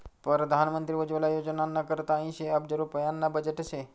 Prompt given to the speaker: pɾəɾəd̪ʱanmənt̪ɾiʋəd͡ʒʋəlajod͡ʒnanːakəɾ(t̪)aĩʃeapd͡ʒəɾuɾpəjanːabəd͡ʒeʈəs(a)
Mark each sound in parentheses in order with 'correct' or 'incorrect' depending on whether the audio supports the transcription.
correct, incorrect: e

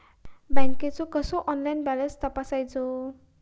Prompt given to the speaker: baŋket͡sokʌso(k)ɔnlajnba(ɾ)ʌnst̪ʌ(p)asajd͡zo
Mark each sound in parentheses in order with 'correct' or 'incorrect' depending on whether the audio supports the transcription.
incorrect: ʔ, incorrect: l, correct

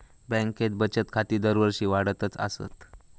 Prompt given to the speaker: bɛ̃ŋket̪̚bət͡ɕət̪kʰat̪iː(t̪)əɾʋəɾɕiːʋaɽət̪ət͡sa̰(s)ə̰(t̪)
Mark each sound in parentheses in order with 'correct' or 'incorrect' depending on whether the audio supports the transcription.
incorrect: d̪, correct, correct

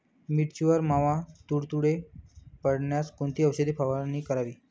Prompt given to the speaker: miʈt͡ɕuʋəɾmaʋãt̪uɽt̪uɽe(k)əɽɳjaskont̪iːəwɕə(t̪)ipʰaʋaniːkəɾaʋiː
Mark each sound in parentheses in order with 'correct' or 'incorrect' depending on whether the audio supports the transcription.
incorrect: p, incorrect: d̪

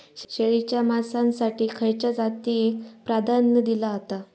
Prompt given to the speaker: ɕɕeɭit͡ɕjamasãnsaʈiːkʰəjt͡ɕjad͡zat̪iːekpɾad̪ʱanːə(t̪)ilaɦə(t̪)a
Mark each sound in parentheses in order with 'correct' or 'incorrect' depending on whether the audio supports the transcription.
incorrect: d̪, correct

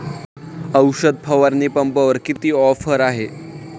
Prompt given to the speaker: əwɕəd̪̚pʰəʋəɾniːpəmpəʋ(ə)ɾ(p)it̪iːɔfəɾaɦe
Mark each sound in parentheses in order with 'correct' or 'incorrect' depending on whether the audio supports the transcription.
correct, incorrect: k

